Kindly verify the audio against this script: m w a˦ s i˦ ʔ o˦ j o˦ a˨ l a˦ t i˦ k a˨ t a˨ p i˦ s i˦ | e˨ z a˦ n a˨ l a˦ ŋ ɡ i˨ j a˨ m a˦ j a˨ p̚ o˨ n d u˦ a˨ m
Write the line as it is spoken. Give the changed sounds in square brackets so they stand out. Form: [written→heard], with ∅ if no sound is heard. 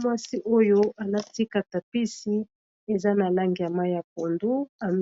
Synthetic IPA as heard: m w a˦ s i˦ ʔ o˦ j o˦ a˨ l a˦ t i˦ k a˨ t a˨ p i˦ s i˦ | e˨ z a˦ n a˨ l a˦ ŋ ɡ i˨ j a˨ m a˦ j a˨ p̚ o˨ n d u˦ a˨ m